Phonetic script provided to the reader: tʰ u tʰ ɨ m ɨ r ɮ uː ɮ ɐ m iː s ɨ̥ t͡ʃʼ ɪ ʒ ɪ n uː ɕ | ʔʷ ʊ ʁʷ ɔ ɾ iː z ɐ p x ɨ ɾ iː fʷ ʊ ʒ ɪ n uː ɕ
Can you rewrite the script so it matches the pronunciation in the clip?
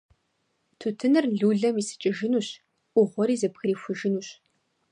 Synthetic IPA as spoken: tʰ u tʰ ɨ n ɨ r ɮ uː ɮ ɐ m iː s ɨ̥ t͡ʃʼ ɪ ʒ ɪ n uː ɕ | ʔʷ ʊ ʁʷ ɔ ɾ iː z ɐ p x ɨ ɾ iː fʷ ʊ ʒ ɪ n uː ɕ